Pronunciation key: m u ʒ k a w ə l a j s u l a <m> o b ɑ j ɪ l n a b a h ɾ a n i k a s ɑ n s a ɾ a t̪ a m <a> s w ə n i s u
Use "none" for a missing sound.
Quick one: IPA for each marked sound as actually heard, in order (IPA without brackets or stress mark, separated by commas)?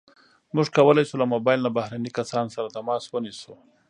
m, ɑ